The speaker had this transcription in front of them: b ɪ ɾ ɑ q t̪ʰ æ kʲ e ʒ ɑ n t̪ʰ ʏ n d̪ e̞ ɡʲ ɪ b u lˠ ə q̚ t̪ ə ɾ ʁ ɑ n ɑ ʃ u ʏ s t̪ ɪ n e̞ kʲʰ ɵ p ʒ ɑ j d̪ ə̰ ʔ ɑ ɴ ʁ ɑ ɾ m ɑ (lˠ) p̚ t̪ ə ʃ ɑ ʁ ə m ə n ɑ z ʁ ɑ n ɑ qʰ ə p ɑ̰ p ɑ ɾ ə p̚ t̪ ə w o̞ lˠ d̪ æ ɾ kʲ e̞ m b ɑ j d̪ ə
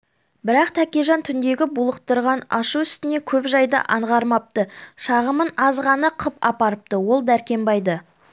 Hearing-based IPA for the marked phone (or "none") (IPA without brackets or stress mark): none